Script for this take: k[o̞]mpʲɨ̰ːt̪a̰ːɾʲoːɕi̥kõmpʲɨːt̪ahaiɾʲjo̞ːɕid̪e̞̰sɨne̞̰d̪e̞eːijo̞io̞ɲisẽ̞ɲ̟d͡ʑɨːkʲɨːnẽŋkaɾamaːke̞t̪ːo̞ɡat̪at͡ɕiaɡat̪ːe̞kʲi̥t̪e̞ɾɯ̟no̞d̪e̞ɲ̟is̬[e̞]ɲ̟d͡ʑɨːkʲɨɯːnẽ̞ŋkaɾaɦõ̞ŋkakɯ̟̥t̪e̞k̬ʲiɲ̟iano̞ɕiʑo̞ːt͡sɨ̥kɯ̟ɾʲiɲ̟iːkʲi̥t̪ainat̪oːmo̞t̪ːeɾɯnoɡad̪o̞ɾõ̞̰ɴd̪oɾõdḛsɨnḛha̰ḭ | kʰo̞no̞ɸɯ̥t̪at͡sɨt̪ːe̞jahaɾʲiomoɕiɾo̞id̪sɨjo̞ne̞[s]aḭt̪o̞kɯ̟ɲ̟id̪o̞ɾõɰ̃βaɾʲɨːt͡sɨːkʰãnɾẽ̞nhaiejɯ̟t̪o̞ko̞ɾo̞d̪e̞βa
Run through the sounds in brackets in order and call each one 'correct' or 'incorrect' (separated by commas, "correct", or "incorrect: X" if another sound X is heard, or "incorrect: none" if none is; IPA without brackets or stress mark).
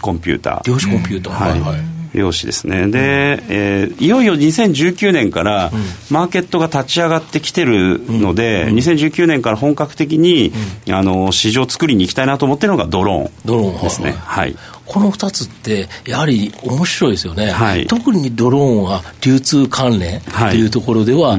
incorrect: õ̞, incorrect: ẽ̞, incorrect: h